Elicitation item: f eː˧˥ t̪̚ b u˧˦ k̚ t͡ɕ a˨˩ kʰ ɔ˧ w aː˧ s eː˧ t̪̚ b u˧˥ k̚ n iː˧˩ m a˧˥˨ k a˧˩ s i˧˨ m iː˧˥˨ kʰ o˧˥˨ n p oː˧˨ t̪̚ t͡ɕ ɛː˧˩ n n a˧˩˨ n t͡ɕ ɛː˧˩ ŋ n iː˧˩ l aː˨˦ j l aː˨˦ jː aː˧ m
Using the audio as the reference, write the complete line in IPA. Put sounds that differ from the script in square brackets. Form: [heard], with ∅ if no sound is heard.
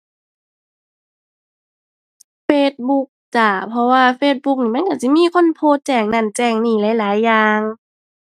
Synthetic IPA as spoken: f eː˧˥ t̪̚ b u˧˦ k̚ t͡ɕ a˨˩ [pʰ] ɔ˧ w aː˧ [f] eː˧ t̪̚ b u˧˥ k̚ n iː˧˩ m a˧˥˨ k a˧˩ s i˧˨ m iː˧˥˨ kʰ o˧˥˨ n [pʰ] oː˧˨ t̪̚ t͡ɕ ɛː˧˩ [ŋ] n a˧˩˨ n t͡ɕ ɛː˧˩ ŋ n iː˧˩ l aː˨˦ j l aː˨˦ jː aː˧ [ŋ]